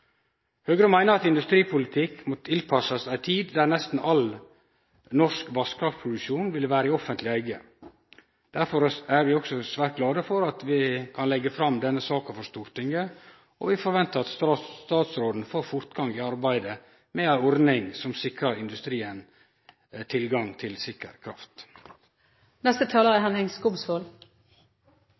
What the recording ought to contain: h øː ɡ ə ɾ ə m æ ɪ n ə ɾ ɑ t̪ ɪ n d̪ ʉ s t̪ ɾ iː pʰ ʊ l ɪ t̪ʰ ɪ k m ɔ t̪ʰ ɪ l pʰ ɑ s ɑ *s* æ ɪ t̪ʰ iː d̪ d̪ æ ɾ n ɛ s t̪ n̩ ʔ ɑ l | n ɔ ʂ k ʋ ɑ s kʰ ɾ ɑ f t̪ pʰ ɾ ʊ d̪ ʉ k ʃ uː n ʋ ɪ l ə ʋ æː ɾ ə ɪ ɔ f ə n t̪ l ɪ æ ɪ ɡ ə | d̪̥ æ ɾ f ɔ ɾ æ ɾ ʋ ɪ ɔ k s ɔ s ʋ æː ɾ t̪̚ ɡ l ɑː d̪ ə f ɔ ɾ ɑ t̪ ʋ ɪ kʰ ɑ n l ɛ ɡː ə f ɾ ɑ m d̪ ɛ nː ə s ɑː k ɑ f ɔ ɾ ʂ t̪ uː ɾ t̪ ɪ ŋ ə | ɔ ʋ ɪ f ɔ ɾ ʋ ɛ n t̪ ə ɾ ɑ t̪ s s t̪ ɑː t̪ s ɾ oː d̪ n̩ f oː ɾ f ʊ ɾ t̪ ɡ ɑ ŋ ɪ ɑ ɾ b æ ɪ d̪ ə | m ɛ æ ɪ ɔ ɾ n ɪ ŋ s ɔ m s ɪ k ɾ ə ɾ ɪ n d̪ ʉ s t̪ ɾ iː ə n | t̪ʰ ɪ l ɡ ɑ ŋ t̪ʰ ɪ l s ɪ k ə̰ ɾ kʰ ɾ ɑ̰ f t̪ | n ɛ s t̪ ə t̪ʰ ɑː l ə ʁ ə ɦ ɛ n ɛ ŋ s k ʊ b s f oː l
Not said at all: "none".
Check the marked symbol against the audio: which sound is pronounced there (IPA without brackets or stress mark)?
s